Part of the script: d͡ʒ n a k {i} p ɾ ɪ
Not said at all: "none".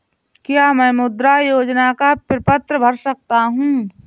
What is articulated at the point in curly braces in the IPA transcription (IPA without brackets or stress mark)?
a